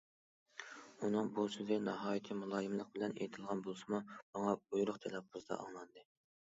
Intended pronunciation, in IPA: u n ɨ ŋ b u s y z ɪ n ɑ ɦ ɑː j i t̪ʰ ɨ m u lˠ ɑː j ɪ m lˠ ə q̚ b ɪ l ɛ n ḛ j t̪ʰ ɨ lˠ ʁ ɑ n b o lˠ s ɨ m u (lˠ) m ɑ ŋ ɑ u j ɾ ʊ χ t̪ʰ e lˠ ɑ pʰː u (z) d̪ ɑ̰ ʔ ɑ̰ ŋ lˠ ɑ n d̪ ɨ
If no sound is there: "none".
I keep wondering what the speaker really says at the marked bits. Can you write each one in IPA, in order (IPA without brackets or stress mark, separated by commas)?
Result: none, z